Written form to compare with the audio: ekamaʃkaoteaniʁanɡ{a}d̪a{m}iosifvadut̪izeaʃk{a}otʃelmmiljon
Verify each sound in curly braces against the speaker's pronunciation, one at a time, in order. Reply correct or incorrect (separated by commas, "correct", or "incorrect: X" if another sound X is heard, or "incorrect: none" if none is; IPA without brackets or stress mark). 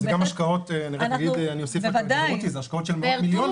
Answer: incorrect: i, incorrect: n, correct